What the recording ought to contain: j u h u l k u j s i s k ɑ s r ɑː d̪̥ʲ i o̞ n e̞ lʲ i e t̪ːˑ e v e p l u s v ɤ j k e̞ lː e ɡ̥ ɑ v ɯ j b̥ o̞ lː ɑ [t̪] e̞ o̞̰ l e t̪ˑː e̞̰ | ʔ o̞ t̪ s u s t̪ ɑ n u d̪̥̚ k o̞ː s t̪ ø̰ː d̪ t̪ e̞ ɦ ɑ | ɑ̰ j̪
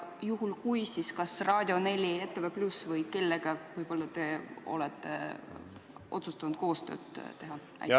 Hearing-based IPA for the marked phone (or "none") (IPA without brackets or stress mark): t̪